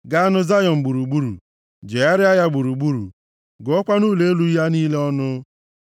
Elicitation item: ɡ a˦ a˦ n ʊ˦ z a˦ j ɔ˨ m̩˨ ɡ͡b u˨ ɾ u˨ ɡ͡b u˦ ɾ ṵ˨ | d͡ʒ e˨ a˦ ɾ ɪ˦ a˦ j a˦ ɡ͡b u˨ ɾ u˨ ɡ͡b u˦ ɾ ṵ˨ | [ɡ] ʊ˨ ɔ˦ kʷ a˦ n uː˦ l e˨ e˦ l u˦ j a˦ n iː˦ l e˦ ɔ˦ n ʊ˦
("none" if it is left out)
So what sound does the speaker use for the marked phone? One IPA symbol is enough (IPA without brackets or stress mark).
ɡ